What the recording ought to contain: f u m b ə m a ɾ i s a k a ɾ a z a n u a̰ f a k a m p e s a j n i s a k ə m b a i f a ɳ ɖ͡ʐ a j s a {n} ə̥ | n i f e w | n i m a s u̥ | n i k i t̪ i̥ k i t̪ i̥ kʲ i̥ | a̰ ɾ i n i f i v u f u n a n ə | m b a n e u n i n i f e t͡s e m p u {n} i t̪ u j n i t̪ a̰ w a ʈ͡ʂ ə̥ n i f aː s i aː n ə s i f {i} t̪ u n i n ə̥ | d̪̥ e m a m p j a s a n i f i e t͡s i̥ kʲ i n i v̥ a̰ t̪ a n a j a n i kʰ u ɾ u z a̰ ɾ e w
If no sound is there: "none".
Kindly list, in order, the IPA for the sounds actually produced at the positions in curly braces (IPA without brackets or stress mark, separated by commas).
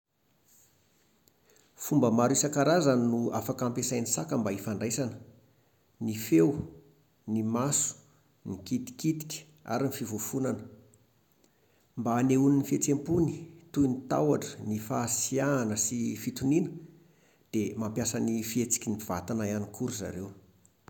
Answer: n, n, i